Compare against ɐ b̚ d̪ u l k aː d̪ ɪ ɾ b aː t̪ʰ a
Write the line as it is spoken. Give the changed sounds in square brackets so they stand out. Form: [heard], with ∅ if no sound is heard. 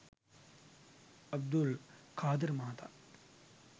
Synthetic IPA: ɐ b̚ d̪ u l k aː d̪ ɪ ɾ [m] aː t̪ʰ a